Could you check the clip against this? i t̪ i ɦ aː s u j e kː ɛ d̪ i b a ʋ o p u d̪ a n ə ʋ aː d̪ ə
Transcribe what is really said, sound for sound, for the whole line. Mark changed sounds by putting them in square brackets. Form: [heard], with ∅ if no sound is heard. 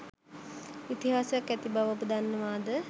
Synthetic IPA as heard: i t̪ i ɦ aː s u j [a] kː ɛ [t̪] i b a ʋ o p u d̪ a [nː] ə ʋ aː d̪ ə